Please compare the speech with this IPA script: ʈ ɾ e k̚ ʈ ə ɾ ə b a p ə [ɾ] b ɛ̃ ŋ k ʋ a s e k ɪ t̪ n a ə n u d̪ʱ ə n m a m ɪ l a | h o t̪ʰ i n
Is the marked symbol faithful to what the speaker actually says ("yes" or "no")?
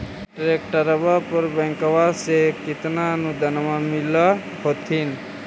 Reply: yes